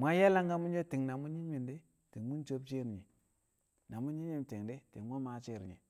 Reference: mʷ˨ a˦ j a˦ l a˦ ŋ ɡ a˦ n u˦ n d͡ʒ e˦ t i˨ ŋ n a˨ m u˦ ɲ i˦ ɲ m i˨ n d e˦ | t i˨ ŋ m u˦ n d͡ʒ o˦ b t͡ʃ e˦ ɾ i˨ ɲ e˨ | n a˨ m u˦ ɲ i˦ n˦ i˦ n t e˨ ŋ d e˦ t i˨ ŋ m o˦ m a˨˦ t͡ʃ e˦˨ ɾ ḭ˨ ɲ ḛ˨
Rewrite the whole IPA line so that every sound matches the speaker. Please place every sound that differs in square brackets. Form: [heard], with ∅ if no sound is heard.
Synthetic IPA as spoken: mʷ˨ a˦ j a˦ l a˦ ŋ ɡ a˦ [m] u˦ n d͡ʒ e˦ t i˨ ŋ n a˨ m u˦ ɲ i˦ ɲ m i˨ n d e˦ | t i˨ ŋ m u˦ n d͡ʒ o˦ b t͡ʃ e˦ ɾ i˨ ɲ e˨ | n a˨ m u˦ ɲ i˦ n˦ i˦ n t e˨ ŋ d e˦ t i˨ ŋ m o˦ m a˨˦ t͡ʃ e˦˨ ɾ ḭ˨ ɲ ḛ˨